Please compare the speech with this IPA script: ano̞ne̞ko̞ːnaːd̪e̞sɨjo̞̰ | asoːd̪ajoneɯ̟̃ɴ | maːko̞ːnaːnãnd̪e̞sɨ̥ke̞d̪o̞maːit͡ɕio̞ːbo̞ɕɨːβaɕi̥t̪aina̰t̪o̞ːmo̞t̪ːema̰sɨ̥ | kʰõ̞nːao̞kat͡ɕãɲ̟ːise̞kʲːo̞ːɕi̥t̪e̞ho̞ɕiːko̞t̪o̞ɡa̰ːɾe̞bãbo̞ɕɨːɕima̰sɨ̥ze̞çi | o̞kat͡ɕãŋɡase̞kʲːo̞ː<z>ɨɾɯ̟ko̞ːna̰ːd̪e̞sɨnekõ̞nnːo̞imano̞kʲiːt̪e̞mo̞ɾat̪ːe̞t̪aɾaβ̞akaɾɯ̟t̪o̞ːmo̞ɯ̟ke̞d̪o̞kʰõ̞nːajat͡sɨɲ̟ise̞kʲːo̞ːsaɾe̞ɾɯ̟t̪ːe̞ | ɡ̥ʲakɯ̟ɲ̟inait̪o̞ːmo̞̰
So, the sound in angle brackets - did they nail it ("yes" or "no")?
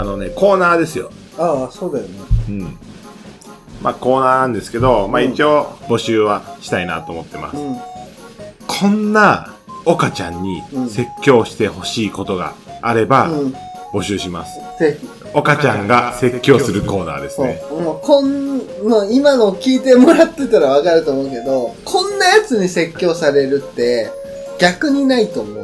no